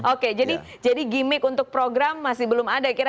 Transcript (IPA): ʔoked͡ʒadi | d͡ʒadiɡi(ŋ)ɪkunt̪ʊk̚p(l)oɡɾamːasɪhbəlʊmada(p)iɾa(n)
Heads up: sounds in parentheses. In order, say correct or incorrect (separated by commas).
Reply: incorrect, incorrect, incorrect, incorrect